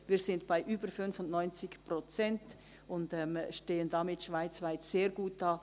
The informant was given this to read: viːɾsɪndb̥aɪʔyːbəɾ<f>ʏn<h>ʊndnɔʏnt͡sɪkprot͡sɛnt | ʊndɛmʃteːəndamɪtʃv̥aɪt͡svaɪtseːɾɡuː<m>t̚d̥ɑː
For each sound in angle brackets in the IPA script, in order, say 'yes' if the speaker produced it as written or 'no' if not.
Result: yes, no, no

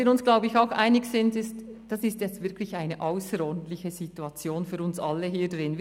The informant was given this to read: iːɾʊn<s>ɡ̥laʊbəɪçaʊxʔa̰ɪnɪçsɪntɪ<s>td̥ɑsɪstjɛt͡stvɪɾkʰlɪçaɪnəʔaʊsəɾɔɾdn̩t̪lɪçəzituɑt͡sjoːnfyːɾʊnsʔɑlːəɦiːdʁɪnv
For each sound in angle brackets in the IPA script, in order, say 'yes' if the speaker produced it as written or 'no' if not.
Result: yes, yes

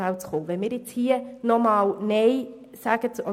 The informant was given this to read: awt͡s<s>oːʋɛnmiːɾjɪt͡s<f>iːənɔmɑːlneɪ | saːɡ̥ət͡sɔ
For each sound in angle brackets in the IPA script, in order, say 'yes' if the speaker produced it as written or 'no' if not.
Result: no, no

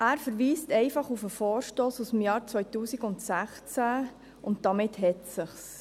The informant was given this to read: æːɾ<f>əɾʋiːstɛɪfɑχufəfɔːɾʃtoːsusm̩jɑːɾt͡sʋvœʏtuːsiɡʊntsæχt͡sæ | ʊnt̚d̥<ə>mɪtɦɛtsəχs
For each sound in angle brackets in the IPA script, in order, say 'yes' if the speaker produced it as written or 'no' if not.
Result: yes, no

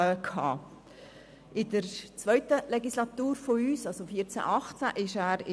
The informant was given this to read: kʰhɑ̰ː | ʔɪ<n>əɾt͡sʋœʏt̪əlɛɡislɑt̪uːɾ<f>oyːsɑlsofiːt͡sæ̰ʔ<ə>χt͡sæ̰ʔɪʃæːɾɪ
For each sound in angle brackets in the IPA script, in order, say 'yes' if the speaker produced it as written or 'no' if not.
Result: no, yes, no

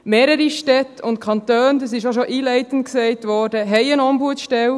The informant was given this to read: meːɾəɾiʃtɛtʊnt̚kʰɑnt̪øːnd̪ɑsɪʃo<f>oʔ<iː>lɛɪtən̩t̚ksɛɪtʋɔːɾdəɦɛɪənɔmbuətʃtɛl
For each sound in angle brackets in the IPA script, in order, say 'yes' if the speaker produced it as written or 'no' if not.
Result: no, yes

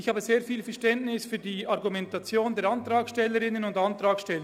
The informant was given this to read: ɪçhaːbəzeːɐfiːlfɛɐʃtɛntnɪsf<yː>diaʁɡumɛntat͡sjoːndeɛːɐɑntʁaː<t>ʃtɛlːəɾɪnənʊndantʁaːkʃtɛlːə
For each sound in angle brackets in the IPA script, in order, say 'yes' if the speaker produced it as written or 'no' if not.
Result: yes, no

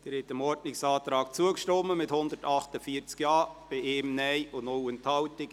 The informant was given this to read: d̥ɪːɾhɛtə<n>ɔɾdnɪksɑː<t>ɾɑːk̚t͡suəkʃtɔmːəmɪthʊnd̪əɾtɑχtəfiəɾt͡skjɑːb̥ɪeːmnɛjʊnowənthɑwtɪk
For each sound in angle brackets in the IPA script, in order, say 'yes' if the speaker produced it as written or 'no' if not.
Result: no, yes

